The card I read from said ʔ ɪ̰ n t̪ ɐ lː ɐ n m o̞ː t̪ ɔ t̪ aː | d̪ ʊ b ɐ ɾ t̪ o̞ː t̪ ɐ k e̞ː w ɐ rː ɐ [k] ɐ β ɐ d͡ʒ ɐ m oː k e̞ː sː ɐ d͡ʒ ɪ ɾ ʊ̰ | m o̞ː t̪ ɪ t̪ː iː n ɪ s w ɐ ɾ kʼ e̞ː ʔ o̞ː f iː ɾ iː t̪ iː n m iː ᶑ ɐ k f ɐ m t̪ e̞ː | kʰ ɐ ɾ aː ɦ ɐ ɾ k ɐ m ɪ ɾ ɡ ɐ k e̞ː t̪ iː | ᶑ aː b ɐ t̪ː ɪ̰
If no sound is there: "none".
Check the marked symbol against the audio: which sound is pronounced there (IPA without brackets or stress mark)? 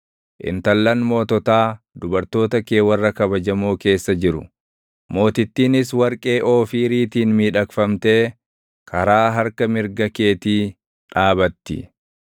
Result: k